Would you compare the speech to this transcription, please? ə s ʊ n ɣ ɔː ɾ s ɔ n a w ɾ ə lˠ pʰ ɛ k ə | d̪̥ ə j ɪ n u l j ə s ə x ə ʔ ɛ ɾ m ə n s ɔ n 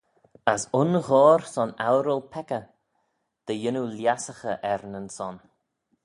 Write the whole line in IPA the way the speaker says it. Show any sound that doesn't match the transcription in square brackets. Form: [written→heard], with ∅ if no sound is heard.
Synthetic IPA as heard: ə s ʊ n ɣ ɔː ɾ s ɔ n a w ɾ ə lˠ pʰ ɛ k ə | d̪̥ ə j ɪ n u l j [ə→a] s ə x ə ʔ ɛ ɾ [m→n] ə n s ɔ n

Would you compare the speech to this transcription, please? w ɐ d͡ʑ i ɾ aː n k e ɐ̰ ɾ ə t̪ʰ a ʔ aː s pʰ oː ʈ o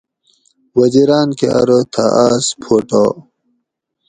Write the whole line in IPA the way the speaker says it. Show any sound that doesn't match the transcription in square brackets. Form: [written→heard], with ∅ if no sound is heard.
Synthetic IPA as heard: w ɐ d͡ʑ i ɾ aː n k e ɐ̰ ɾ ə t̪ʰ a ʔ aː s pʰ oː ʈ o

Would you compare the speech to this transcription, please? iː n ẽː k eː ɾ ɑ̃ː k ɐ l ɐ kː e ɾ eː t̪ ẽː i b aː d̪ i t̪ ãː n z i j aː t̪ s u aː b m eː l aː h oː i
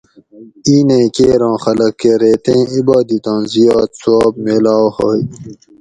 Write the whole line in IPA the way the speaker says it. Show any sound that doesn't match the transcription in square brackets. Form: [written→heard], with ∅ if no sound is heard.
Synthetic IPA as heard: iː n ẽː k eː ɾ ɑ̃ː [k→x] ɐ l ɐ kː e ɾ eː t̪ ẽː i b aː d̪ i t̪ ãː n z i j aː t̪ s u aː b m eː l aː h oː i

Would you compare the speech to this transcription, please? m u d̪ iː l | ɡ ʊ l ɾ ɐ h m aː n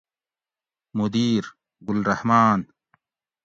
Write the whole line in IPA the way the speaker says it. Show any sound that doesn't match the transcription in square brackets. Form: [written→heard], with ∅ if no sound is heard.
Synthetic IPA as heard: m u d̪ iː [l→ɾ] | ɡ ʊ l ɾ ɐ h m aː n

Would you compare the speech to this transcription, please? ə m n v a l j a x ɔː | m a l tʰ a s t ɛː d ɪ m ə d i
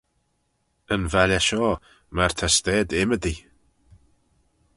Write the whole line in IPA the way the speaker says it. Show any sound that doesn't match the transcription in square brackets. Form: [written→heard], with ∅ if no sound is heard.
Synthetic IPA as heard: ə [m→∅] n v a l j a [x→ʃ] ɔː | m a [l→r] tʰ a s t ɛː d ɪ m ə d i

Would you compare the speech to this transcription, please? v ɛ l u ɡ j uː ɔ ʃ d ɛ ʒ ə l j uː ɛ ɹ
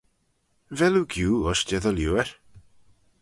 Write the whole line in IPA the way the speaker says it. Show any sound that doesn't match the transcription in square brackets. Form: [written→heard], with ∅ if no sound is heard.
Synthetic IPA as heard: v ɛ l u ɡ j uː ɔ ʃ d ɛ [ʒ→ð] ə l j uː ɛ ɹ

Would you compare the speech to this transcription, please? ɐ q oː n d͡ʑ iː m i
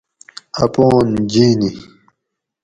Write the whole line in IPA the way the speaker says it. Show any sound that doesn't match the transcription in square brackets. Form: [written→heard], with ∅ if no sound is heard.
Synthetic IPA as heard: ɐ [q→p] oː n d͡ʑ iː [m→n] i

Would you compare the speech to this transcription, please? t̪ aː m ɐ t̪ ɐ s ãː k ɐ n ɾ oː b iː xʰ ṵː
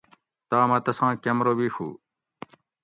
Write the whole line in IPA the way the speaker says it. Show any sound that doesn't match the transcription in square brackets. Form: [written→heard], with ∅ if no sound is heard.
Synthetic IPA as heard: t̪ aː m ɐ t̪ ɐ s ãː k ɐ [n→m] ɾ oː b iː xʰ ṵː

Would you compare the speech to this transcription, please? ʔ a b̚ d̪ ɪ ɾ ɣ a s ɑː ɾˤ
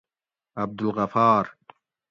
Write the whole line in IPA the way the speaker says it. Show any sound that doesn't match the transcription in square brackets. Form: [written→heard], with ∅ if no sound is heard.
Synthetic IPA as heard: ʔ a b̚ d̪ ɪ [ɾ→l] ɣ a [s→f] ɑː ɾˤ

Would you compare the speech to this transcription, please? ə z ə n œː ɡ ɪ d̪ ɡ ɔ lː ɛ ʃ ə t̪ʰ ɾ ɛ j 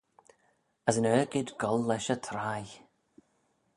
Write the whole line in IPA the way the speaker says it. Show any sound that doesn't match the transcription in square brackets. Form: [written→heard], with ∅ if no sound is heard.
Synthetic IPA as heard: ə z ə n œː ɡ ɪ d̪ ɡ ɔ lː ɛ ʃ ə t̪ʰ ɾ [ɛ→a] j

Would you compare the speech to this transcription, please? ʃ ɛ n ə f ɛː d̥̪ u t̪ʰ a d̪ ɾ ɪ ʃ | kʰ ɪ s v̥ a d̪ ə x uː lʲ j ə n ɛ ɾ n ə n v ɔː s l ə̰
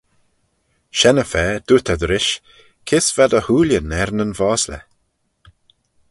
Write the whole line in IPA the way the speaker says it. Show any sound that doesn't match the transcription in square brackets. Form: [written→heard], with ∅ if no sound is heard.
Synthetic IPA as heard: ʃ ɛ n ə f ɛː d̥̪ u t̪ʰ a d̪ ɾ ɪ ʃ | kʰ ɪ s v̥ a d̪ ə [x→h] uː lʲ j ə n ɛ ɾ n ə n v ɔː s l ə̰

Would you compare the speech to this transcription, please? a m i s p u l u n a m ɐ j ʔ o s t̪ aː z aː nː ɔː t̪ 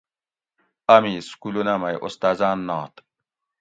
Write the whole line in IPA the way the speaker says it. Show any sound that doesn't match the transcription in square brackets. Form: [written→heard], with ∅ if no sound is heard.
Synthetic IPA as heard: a m i s [p→k] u l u n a m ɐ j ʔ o s t̪ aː z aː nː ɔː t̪

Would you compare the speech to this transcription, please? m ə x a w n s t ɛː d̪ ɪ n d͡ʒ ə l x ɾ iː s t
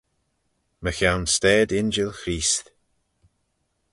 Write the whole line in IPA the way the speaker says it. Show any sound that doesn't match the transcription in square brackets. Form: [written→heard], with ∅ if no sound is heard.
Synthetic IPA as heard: m ə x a w n s t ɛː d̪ ɪ n d͡ʒ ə l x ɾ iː s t

